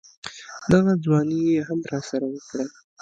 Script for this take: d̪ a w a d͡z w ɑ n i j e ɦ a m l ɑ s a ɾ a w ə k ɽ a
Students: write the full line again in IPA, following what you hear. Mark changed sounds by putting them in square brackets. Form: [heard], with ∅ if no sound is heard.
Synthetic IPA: d̪ a [ɣ] a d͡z w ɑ n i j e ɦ a m [ɾ] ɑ s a ɾ a w ə k ɽ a

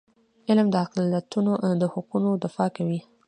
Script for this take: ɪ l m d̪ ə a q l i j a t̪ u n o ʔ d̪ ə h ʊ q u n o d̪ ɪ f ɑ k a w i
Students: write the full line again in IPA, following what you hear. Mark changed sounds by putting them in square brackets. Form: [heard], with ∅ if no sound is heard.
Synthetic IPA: ɪ l m d̪ ə a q l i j a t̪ u n o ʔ d̪ ə h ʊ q u n o d̪ ɪ f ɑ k a w i

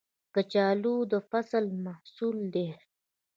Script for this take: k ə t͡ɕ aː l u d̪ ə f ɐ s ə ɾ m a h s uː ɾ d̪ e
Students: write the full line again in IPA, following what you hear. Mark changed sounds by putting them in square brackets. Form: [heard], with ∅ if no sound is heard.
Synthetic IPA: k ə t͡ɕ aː l u d̪ ə f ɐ s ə [l] m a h s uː [l] d̪ e

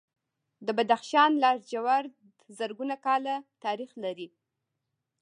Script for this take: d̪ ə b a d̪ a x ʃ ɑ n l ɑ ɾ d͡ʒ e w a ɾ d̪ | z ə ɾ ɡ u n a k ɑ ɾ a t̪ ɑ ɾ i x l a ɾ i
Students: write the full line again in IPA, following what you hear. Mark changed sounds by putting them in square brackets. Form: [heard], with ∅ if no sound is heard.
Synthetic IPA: d̪ ə b a d̪ a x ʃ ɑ n l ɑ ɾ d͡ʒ [a] w a ɾ d̪ | z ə ɾ ɡ u n a k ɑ [l] a t̪ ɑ ɾ i x l a ɾ i

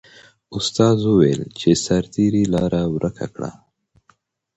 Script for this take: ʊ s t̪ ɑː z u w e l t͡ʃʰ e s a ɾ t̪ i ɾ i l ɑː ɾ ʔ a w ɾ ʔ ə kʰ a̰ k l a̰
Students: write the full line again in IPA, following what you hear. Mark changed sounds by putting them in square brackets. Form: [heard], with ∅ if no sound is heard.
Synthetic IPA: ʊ s t̪ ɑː z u w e l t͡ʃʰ e s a ɾ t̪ i ɾ i l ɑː ɾ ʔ a w ɾ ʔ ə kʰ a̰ k [ɽ] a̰

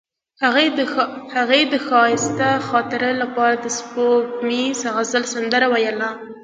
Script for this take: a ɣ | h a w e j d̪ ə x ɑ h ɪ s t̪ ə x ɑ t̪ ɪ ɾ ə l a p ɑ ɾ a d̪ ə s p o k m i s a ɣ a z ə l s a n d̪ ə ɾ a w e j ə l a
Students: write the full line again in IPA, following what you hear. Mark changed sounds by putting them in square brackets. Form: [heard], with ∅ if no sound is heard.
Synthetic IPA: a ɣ | h a [ɣ] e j d̪ ə x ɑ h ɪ s t̪ [a] x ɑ t̪ ɪ ɾ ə l a p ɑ ɾ a d̪ ə s p o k m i s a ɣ a z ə l s a n d̪ ə ɾ a w [a] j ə l a

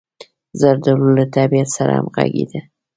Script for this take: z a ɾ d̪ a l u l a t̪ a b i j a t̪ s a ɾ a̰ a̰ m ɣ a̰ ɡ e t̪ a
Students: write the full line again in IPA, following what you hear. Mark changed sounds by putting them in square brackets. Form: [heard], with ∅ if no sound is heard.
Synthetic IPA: z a ɾ d̪ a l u l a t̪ a b i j a t̪ s a ɾ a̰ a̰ m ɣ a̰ ɡ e [d̪] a

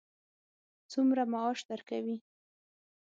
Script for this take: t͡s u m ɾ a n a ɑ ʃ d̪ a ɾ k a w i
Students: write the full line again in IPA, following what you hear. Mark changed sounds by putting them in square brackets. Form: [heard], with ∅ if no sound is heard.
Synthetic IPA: t͡s u m ɾ a [m] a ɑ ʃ d̪ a ɾ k a w i

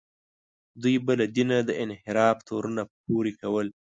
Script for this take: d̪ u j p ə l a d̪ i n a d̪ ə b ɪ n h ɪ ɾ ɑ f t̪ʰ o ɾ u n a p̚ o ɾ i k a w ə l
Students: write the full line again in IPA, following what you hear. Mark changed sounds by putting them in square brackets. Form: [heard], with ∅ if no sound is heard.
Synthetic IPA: d̪ u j [b] ə l a d̪ i n a d̪ ə [∅] ɪ n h ɪ ɾ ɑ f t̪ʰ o ɾ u n a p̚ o ɾ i k a w ə l

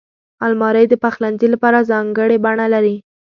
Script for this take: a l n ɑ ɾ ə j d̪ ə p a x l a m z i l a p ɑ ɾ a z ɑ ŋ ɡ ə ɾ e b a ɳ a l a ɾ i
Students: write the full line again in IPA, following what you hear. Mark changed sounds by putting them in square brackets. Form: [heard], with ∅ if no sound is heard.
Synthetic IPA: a l [m] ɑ ɾ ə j d̪ ə p a x l a [n] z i l a p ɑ ɾ a z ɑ ŋ ɡ ə [ɽ] e b a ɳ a l a ɾ i

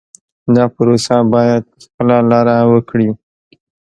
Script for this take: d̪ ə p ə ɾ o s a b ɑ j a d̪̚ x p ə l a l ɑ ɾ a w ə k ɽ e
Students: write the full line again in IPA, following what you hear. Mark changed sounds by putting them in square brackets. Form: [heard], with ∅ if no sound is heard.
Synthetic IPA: d̪ [ɑ] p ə ɾ o s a b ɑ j a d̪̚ x p ə l a l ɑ ɾ a w ə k ɽ [i]

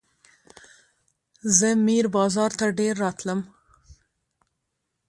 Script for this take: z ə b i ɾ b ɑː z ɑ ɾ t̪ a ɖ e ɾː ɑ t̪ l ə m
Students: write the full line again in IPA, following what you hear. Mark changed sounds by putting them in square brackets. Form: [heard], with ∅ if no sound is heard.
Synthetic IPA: z ə [m] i ɾ b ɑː z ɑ ɾ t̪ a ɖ e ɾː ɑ t̪ l ə m

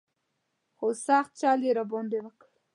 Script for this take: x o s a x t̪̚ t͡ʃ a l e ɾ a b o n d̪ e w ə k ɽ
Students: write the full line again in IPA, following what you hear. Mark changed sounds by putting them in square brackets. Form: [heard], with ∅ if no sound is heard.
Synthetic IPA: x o s a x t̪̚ t͡ʃ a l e ɾ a b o n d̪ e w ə k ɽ

